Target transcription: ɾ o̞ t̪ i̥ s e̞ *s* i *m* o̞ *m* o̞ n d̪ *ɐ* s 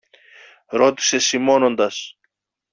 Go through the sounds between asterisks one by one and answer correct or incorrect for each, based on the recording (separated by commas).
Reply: correct, correct, incorrect, correct